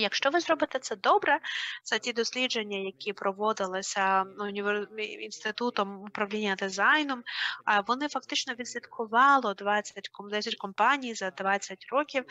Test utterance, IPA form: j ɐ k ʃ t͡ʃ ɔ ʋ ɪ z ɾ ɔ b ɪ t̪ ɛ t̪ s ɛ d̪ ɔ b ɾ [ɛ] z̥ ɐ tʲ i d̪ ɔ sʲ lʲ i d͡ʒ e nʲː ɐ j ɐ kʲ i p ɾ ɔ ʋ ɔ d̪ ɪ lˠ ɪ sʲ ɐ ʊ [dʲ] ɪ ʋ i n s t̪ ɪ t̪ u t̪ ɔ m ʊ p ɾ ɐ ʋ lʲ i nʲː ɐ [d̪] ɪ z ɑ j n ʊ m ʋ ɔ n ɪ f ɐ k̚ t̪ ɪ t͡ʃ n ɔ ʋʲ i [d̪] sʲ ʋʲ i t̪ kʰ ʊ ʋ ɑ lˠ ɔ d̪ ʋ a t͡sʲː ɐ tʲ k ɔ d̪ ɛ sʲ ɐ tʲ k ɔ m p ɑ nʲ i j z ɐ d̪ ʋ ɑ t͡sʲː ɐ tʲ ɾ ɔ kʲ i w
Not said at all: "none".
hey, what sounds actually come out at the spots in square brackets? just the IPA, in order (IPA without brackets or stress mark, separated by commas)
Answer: ɛ, nʲ, d̪, d̪